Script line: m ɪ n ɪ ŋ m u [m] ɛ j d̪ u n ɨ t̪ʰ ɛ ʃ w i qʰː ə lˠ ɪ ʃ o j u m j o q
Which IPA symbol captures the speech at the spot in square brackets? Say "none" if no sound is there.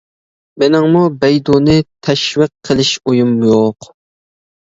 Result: b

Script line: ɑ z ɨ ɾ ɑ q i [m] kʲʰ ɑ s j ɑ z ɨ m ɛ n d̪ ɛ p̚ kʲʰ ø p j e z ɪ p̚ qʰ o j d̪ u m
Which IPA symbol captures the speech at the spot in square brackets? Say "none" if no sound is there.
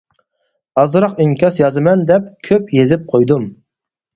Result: ŋ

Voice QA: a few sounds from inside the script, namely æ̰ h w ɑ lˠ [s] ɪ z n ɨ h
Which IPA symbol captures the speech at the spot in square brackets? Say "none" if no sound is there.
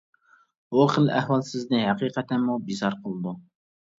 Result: s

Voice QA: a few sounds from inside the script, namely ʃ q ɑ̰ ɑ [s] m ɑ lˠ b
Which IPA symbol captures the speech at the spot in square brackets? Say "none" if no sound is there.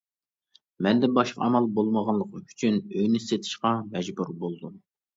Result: none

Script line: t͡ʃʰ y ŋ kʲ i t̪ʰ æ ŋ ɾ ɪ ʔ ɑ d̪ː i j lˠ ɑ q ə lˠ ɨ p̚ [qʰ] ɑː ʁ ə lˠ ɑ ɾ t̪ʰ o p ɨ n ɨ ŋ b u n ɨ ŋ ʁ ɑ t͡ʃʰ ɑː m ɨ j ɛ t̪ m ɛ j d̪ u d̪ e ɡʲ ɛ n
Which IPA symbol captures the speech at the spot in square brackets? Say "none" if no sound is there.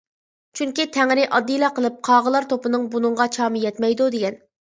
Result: qʰ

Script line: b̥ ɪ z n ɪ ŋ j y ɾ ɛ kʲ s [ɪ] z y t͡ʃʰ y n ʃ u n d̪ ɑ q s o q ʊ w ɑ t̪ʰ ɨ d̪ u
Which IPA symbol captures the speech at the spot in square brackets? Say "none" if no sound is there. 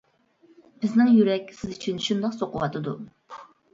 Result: ɪ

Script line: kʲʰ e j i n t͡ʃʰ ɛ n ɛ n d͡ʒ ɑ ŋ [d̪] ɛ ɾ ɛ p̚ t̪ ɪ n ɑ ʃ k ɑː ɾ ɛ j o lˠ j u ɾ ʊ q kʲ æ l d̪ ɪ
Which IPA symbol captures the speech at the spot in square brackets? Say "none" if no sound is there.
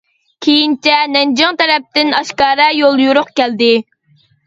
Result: t̪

